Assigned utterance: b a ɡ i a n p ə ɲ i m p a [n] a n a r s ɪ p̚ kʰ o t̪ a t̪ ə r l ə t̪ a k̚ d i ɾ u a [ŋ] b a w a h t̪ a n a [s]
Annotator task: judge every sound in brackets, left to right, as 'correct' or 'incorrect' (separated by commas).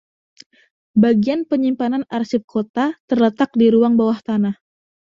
correct, correct, incorrect